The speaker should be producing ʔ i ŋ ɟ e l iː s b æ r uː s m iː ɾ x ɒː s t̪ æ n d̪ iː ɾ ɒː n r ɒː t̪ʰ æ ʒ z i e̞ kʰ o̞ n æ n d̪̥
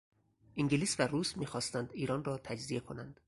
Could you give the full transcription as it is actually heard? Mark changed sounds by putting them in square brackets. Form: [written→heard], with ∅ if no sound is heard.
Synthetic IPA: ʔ i ŋ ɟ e l iː s [b→v] æ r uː s m iː [ɾ→∅] x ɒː s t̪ æ n d̪ iː ɾ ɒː n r ɒː t̪ʰ æ [ʒ→d͡ʒ] z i e̞ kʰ o̞ n æ n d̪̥

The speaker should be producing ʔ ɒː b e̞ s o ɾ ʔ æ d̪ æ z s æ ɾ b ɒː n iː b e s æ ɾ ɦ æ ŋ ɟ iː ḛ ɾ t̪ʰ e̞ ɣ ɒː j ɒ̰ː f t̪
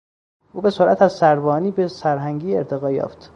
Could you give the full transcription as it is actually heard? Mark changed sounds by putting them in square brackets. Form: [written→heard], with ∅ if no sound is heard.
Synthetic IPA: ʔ [ɒː→uː] b e̞ s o ɾ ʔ æ [d̪→t̪] æ z s æ ɾ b ɒː n iː b e s æ ɾ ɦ æ ŋ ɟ iː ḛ ɾ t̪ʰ e̞ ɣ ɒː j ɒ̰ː f t̪

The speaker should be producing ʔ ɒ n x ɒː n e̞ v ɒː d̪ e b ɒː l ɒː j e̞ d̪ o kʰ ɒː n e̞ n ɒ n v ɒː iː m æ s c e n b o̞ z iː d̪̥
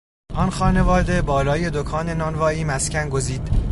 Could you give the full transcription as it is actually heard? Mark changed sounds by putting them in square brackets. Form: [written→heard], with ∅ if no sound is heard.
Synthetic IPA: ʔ ɒ n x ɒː n e̞ v ɒː d̪ e b ɒː l ɒː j e̞ d̪ o kʰ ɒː n e̞ n ɒ n v ɒː iː m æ s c [e→æ] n [b→ɡ] o̞ z iː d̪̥

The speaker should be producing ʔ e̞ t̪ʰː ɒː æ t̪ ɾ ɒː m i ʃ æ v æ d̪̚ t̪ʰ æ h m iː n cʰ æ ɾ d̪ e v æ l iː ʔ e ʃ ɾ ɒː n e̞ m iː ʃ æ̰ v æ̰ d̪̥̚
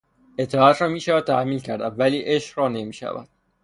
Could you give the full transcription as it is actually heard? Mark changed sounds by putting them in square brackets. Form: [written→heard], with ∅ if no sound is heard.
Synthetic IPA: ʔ e̞ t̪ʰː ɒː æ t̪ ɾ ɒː m [i→iː] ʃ æ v æ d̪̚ t̪ʰ æ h m iː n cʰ æ ɾ d̪ [e→æ] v æ l iː ʔ e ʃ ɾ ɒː n e̞ m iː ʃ æ̰ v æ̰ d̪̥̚

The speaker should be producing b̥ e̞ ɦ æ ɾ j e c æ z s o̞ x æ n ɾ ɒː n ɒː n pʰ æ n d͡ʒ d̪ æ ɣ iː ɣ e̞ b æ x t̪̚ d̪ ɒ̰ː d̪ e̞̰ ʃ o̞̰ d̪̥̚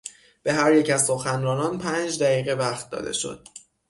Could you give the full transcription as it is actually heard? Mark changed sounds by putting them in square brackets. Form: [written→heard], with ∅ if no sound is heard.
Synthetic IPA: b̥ e̞ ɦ æ ɾ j e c æ z s o̞ x æ n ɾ ɒː n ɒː n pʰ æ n d͡ʒ d̪ æ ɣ iː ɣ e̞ [b→v] æ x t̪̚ d̪ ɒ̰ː d̪ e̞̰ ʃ o̞̰ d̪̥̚

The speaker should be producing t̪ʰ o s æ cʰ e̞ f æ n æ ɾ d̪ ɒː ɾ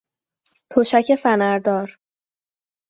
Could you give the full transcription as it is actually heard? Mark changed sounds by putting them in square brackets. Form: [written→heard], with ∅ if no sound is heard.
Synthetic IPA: t̪ʰ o [s→ʃ] æ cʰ e̞ f æ n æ ɾ d̪ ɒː ɾ

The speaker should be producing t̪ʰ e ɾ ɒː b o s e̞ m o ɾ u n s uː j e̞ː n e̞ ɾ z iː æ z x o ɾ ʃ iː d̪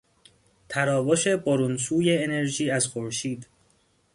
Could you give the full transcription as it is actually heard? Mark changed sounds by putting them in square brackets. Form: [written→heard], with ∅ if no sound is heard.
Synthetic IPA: t̪ʰ [e→æ] ɾ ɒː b o [s→ʃ] e̞ [m→b] o ɾ u n s uː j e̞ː n e̞ ɾ [z→ʒ] iː æ z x o ɾ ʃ iː d̪

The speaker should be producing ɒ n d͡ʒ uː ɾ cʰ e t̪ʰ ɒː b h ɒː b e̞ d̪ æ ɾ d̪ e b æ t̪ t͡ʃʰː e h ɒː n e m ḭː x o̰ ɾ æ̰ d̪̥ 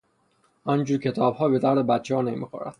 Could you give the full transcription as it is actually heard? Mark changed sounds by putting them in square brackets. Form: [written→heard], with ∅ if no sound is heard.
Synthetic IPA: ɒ n d͡ʒ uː ɾ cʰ e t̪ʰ ɒː b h ɒː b e̞ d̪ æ ɾ d̪ e b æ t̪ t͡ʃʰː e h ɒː n e m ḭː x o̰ ɾ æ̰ d̪̥

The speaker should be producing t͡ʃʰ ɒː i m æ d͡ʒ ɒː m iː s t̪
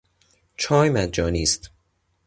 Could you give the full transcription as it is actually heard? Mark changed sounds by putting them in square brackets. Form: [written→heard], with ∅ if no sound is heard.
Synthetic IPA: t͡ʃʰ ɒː [i→j] m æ d͡ʒ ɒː [m→n] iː s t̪

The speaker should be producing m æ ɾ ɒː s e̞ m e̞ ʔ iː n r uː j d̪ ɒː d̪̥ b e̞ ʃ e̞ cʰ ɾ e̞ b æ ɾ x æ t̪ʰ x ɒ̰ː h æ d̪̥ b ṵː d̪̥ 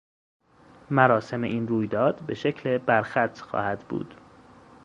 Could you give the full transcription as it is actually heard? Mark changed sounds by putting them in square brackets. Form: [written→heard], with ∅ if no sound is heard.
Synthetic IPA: m æ ɾ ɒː s e̞ m e̞ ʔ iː n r uː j d̪ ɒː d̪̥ b e̞ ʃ e̞ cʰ [ɾ→l] e̞ b æ ɾ x æ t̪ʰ x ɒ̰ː h æ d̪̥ b ṵː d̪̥

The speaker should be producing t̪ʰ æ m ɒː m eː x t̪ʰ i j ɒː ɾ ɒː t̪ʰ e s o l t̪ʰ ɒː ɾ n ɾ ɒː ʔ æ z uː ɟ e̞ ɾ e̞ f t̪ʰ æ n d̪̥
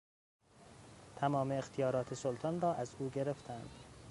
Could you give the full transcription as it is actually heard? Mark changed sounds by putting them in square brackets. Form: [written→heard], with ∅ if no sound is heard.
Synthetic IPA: t̪ʰ æ m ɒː m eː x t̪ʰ i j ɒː ɾ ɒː t̪ʰ e s o l t̪ʰ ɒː [ɾ→∅] n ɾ ɒː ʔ æ z uː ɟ e̞ ɾ e̞ f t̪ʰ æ n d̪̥

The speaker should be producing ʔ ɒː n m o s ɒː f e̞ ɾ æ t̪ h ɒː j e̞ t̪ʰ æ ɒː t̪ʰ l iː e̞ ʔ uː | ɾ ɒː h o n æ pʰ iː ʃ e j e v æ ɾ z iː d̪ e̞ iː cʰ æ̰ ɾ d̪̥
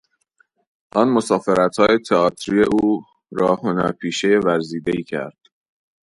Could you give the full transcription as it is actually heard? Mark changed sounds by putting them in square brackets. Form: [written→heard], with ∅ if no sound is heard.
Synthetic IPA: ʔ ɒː n m o s ɒː f e̞ ɾ æ t̪ h ɒː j e̞ t̪ʰ [æ→e] ɒː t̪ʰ [l→ɾ] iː e̞ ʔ uː | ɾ ɒː h o n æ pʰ iː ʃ e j e v æ ɾ z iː d̪ e̞ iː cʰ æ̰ ɾ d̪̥

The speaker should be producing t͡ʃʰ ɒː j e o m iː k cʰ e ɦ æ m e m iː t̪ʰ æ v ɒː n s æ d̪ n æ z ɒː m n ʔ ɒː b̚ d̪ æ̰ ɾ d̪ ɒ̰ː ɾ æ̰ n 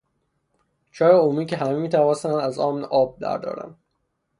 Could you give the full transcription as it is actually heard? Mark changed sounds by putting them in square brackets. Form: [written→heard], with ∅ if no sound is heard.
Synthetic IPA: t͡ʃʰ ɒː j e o m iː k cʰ e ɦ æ m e m iː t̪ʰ æ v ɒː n s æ [d̪→∅] n æ z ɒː m n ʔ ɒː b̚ d̪ æ̰ ɾ d̪ ɒ̰ː ɾ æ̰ n

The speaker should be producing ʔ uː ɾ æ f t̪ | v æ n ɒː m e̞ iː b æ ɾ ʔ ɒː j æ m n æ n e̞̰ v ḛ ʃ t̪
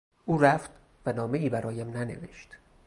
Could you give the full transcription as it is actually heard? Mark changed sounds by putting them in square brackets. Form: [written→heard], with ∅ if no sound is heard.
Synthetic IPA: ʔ uː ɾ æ f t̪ | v æ n ɒː m e̞ iː b æ ɾ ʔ ɒː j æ m n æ n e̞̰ v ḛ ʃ t̪

